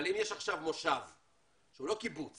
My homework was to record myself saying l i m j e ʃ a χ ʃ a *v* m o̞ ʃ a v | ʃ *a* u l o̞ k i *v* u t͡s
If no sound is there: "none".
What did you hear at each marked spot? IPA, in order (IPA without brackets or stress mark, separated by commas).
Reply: v, e, b